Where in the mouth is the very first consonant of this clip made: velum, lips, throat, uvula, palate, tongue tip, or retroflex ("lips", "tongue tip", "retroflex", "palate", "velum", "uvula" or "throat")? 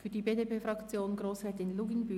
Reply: lips